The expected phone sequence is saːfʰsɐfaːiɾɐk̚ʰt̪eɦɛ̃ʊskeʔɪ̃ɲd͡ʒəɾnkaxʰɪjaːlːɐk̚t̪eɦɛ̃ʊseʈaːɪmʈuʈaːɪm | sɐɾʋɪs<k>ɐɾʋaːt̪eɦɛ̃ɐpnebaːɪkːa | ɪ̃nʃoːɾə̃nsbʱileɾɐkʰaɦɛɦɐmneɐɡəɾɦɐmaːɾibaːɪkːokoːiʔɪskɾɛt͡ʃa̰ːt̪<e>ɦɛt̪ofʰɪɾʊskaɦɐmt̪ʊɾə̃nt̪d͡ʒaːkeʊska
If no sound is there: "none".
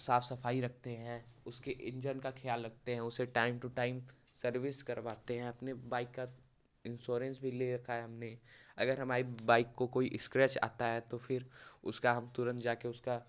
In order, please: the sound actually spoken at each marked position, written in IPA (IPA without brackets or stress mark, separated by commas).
k, a